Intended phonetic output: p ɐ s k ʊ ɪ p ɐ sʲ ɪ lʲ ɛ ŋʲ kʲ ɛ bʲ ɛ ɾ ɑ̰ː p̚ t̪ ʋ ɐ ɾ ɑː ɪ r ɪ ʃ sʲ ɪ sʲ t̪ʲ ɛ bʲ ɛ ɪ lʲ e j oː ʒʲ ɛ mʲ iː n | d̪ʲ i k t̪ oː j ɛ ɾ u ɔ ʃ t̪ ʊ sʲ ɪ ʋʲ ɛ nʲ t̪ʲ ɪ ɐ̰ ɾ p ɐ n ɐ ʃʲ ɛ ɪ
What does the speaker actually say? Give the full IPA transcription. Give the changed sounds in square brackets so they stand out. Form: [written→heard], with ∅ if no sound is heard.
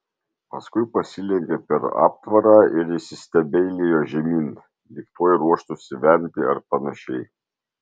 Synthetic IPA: p ɐ s k ʊ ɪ p ɐ sʲ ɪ lʲ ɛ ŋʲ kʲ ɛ [bʲ→pʲ] ɛ ɾ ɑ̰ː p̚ t̪ ʋ ɐ ɾ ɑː ɪ [r→ɾ] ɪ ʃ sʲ ɪ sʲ t̪ʲ ɛ bʲ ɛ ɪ lʲ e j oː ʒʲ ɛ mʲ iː n | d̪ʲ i k t̪ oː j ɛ ɾ u ɔ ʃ t̪ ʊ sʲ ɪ ʋʲ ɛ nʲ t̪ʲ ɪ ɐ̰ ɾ p ɐ n ɐ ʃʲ ɛ ɪ